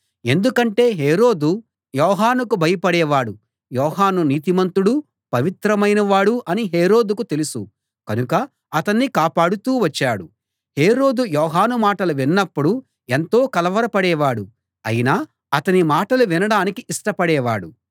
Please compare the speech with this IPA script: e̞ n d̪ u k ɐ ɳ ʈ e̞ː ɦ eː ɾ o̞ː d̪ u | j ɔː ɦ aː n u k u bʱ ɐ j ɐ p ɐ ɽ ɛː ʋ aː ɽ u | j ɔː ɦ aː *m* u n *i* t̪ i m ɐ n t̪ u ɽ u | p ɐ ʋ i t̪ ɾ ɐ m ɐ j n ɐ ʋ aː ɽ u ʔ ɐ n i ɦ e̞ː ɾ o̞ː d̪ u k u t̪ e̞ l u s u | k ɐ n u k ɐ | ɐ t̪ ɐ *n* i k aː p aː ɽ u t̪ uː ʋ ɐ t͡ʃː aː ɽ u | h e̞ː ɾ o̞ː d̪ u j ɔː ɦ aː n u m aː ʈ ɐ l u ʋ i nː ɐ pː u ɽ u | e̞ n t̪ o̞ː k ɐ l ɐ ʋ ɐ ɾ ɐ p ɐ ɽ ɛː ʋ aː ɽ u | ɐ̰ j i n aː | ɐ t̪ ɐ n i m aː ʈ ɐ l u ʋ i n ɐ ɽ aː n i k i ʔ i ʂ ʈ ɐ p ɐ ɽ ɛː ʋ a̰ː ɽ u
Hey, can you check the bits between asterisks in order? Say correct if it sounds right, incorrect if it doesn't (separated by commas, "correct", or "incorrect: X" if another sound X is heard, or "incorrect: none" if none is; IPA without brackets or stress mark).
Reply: incorrect: n, incorrect: iː, incorrect: nː